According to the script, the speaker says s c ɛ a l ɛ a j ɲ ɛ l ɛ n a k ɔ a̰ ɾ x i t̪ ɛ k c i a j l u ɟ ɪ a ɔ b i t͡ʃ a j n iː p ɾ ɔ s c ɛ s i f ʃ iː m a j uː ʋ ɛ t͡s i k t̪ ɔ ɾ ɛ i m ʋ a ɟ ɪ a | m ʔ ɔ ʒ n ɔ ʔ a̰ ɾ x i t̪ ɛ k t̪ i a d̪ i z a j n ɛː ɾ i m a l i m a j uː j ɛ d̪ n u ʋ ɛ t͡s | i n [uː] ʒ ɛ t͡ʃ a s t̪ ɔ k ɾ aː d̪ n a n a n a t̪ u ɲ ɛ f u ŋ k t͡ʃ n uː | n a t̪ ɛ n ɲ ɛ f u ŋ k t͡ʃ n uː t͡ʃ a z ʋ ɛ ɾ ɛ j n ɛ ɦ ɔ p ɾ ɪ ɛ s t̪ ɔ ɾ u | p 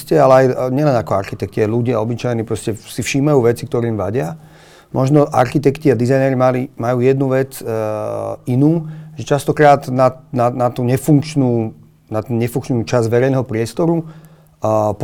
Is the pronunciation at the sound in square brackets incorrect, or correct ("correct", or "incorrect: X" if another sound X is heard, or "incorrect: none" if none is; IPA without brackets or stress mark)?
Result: correct